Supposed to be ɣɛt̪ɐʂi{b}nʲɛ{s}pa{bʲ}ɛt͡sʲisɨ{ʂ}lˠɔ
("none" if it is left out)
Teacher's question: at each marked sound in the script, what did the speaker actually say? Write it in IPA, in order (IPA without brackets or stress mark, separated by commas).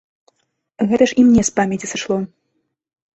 m, s, mʲ, ʂ